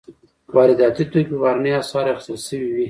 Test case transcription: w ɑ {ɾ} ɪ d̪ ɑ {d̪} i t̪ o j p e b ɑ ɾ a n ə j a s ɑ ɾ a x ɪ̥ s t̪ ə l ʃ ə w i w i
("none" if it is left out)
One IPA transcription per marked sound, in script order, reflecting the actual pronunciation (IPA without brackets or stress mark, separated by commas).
ɾ, t̪